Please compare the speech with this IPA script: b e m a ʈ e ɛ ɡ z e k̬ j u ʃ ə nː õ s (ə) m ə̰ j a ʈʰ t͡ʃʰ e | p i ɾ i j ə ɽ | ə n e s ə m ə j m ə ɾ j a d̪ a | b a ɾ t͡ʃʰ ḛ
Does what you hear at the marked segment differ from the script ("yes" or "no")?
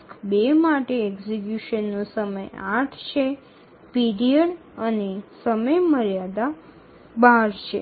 no